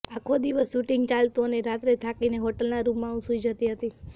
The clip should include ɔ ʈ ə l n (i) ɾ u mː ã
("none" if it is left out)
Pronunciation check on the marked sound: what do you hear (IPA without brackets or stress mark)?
a